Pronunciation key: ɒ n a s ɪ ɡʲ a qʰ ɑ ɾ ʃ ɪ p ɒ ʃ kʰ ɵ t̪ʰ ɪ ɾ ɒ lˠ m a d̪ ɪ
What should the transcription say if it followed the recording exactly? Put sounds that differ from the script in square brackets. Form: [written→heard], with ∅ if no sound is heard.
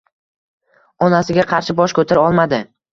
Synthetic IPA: ɒ n a s ɪ ɡʲ a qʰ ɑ ɾ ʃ ɪ [p→b] ɒ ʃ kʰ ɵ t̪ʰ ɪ ɾ ɒ lˠ m a d̪ ɪ